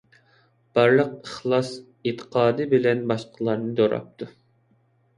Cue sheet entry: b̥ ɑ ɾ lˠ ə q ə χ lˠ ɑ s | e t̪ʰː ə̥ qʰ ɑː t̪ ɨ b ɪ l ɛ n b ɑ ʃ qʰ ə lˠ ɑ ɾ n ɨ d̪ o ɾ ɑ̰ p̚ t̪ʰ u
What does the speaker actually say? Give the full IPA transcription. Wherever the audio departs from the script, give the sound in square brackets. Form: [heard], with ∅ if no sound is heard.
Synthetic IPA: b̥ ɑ ɾ lˠ ə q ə χ lˠ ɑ s | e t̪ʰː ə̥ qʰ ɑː [d̪] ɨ b ɪ l ɛ n b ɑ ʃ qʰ ə lˠ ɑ ɾ n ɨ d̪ o ɾ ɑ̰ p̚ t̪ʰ u